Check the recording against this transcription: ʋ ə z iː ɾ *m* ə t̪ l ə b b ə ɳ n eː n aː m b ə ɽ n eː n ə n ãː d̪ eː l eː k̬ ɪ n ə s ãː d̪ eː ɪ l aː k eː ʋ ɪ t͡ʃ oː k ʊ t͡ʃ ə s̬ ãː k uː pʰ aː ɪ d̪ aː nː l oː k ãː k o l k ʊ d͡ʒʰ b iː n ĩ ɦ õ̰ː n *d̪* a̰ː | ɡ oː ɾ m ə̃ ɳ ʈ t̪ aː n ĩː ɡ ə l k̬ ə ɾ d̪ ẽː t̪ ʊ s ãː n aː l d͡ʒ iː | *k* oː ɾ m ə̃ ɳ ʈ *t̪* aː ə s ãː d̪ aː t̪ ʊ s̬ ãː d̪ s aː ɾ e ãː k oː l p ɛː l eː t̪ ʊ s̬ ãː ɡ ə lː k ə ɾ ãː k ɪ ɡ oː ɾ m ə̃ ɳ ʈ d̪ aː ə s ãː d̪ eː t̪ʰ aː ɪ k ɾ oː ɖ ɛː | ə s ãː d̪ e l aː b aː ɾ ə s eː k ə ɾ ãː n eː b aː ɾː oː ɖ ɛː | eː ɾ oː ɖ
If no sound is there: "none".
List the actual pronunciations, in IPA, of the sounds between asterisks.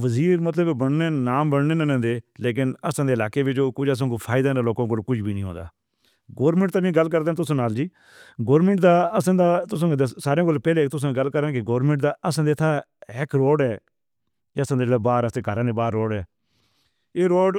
m, d̪, ɡ, d̪

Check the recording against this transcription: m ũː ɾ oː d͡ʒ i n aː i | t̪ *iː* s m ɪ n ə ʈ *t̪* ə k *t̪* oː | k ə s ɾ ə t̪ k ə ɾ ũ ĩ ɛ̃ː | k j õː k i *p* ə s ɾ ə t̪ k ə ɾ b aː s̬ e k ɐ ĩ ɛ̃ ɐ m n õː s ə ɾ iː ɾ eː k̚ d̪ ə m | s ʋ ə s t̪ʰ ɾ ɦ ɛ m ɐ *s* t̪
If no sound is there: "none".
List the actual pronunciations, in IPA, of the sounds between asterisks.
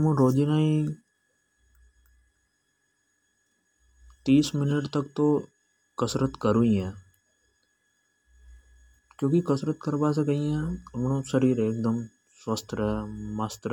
iː, t̪, t̪, k, s

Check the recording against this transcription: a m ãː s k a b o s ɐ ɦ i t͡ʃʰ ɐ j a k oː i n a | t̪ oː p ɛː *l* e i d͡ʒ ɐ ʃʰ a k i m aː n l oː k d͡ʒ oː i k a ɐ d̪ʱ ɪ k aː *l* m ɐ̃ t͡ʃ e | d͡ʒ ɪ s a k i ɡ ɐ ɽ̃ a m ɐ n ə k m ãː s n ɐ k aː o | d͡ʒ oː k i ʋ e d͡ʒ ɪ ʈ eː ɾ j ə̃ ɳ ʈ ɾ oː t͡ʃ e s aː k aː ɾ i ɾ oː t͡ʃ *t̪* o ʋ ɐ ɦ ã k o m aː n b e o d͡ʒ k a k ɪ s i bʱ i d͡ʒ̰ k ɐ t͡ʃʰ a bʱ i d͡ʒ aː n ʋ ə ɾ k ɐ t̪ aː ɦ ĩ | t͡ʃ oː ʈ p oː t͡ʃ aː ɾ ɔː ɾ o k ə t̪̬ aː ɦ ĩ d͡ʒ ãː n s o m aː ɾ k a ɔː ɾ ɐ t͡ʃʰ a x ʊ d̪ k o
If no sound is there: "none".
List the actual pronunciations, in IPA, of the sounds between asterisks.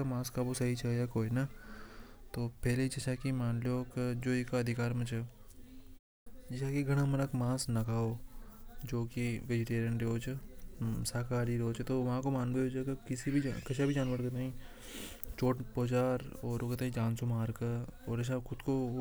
l, ɾ, t̪

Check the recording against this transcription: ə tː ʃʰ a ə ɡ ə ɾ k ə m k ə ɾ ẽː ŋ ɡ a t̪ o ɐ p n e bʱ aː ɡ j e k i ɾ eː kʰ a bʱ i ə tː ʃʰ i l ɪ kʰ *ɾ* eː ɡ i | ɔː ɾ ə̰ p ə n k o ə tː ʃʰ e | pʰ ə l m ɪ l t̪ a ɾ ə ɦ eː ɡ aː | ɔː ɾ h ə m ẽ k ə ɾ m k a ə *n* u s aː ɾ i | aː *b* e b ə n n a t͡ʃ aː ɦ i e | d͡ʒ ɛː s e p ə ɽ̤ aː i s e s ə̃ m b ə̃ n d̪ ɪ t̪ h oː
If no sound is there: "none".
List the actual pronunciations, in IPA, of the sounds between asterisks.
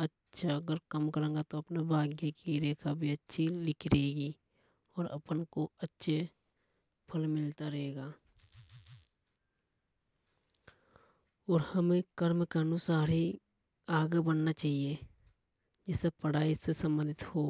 ɾ, n, ɡ

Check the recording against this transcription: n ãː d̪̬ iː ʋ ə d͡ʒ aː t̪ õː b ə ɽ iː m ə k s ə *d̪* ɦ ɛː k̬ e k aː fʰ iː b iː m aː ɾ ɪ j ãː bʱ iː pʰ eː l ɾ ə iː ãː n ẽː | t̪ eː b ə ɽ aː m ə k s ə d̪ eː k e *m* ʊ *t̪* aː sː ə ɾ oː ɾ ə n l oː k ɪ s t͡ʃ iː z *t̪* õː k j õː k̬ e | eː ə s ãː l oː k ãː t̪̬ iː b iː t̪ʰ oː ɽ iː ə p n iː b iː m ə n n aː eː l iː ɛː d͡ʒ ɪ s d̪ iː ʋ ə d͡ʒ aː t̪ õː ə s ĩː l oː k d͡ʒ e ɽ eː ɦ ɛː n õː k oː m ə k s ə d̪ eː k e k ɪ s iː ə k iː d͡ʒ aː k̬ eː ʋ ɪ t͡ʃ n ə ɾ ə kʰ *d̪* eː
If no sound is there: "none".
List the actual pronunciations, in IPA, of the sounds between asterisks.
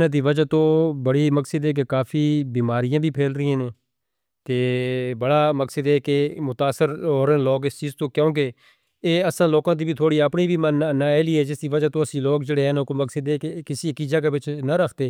d̪, m, t̪, t̪, t̪

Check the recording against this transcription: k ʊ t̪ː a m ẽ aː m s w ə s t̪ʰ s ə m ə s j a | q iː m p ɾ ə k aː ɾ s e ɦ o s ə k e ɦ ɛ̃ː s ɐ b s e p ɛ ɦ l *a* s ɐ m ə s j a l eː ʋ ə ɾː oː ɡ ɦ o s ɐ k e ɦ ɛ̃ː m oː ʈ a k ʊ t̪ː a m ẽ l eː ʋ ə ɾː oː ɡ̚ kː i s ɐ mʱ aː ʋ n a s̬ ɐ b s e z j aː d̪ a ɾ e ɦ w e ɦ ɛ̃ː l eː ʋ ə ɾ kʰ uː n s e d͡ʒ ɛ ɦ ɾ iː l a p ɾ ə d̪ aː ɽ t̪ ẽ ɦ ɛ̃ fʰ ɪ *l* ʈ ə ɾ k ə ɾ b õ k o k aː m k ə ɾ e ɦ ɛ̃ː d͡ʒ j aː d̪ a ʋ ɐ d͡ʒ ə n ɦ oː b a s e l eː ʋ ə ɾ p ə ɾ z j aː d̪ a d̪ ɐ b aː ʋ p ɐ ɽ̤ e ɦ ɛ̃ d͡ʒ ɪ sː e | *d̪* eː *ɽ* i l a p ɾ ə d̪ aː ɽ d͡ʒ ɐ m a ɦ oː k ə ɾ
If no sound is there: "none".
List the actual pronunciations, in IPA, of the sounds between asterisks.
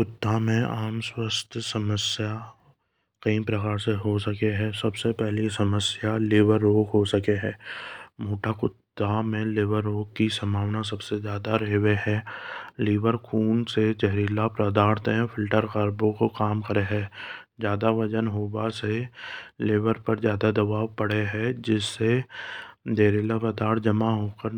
i, l, d̪, ɾ

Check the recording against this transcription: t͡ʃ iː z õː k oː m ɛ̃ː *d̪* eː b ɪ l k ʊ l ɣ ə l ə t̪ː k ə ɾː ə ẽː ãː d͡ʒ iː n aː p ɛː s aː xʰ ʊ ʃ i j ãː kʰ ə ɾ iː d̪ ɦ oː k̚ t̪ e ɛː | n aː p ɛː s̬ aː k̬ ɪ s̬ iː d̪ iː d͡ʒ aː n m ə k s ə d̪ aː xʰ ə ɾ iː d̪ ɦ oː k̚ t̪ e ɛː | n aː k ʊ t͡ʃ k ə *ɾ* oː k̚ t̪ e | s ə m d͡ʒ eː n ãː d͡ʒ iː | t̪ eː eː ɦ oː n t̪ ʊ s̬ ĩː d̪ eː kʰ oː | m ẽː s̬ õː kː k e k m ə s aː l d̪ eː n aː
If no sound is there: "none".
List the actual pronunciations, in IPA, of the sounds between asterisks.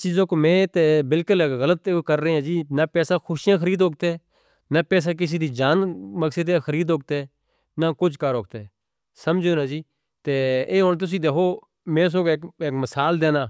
t̪, ɾ

